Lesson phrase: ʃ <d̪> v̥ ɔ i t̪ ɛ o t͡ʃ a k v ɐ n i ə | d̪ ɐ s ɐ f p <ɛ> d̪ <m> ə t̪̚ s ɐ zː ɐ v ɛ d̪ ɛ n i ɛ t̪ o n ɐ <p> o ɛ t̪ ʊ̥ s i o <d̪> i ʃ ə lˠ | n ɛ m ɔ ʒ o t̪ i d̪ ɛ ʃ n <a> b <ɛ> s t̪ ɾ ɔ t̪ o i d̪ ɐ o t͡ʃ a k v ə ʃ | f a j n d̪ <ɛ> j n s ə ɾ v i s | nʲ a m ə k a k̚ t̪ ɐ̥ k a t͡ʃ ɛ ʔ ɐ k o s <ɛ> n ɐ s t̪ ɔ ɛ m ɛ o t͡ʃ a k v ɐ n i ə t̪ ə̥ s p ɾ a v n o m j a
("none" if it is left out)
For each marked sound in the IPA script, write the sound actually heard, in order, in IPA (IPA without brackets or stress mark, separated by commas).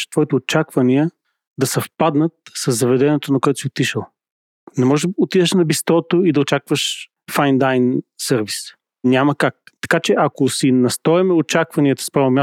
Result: t̪, a, n, k, t̪, ɐ, i, a, i